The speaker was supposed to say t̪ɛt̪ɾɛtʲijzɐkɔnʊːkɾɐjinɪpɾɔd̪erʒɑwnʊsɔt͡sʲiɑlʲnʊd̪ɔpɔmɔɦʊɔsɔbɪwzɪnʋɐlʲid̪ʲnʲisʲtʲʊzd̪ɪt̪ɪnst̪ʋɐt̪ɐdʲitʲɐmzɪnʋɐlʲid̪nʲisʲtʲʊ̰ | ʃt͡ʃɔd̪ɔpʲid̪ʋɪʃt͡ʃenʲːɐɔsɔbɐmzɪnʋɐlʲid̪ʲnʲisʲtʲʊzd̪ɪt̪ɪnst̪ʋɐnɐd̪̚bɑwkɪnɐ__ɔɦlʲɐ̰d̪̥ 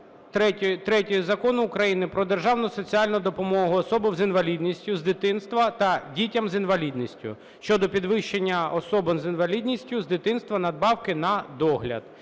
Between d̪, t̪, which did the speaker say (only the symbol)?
d̪